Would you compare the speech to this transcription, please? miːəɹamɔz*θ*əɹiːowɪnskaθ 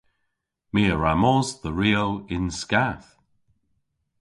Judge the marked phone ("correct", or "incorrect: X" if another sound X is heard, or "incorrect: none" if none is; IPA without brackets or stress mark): incorrect: ð